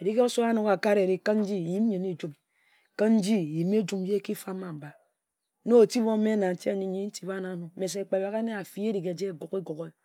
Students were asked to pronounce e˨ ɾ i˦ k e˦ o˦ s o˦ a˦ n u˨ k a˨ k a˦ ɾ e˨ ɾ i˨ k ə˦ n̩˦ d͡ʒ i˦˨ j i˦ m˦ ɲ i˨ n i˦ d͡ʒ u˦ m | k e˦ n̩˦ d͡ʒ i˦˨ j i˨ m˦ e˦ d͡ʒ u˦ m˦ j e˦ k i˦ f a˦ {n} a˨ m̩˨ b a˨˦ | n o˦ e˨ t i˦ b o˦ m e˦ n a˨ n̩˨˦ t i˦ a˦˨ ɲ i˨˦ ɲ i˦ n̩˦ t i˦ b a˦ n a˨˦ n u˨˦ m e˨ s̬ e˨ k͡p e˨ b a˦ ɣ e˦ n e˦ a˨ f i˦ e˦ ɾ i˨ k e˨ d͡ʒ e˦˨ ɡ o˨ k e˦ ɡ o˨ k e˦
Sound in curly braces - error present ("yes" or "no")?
yes